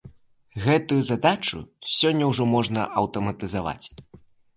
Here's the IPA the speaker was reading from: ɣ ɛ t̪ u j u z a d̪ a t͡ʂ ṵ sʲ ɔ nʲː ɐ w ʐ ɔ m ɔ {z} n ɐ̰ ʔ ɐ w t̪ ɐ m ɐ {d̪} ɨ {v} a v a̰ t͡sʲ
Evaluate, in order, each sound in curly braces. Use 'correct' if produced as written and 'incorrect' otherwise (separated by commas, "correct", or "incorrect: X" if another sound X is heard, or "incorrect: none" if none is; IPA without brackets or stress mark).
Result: incorrect: ʐ, incorrect: t̪, incorrect: z